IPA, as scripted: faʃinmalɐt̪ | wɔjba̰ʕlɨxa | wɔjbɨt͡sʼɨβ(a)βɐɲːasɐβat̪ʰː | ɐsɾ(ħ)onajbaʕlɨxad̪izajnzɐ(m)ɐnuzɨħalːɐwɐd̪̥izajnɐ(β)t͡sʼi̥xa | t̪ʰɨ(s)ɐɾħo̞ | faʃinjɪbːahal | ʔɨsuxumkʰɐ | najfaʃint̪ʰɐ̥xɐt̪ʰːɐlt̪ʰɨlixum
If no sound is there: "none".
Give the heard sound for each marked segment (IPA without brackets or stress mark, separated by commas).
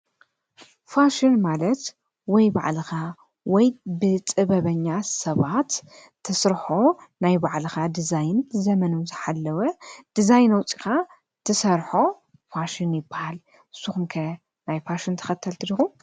ɐ, ħ, m, w, s